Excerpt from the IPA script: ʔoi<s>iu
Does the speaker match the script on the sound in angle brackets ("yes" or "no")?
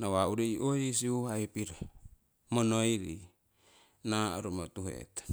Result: yes